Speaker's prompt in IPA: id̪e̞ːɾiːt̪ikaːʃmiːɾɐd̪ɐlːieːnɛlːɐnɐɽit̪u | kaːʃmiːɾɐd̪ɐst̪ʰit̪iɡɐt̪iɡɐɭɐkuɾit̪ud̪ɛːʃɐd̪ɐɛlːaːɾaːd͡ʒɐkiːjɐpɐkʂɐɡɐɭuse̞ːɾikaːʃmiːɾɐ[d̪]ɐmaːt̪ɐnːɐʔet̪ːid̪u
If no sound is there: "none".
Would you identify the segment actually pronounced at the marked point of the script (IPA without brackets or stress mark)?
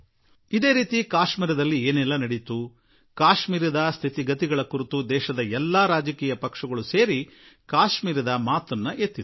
d̪